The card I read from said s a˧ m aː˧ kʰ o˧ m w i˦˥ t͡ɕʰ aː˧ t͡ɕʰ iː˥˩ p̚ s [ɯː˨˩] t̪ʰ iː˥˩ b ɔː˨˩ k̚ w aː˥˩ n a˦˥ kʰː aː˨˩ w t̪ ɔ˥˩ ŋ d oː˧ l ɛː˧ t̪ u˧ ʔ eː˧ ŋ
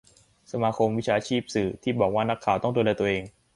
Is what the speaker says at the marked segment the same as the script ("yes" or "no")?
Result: yes